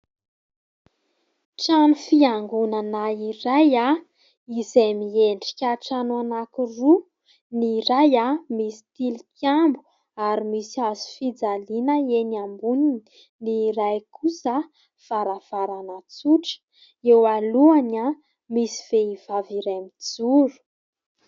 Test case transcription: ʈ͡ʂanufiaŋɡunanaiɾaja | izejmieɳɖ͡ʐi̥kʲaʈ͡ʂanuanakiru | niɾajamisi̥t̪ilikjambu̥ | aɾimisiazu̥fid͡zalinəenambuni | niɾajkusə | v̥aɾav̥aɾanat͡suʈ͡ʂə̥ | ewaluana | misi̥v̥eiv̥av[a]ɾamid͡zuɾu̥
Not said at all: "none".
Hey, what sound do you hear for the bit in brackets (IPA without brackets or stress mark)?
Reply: i